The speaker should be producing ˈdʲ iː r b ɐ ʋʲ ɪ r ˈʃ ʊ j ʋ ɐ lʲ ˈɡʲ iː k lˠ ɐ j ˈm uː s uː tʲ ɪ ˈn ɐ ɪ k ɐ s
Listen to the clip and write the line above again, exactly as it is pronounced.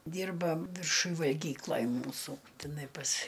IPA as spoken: ˈdʲ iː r b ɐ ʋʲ ɪ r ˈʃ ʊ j ʋ ɐ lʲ ˈɡʲ iː k lˠ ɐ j ˈm uː s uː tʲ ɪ ˈn ɐ ɪ p ɐ s